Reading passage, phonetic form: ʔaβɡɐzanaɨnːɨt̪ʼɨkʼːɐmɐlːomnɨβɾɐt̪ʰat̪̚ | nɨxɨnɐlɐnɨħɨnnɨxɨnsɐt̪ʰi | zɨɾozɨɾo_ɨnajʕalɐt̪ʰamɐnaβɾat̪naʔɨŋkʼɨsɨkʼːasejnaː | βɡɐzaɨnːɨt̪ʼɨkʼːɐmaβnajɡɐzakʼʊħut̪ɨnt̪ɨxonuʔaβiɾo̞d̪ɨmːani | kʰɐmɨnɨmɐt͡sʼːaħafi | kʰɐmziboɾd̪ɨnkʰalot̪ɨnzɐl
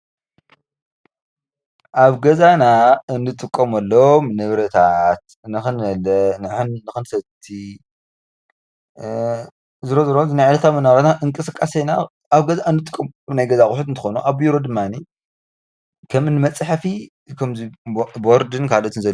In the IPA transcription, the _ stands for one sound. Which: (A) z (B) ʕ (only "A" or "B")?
A